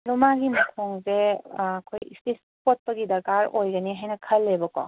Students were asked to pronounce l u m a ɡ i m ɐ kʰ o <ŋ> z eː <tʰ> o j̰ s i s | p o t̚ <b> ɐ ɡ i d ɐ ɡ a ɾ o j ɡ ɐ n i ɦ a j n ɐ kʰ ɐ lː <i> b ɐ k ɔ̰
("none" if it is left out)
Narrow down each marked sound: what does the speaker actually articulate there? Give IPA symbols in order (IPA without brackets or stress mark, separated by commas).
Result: ŋ, kʰ, p, e